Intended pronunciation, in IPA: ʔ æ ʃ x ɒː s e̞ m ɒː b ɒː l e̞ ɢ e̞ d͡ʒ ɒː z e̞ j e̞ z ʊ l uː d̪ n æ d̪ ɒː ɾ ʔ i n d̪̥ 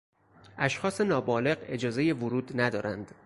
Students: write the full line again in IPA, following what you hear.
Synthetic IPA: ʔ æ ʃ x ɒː s e̞ n ɒː b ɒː l e̞ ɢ e̞ d͡ʒ ɒː z e̞ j e̞ v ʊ ɾ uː d̪ n æ d̪ ɒː ɾ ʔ æ n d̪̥